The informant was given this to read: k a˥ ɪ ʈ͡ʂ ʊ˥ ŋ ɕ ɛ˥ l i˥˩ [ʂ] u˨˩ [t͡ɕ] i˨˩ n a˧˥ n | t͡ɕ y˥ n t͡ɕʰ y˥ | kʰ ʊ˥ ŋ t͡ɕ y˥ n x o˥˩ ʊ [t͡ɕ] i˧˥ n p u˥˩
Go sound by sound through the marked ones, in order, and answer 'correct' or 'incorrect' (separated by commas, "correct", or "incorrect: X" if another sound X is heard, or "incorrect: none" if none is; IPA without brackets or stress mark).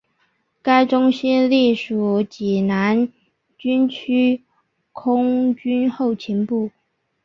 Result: correct, correct, incorrect: t͡ɕʰ